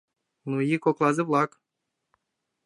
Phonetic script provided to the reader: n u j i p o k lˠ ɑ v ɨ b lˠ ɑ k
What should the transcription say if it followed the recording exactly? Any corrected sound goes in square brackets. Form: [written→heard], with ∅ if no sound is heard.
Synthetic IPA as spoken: n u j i [p→k] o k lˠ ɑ [v→z] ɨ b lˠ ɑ k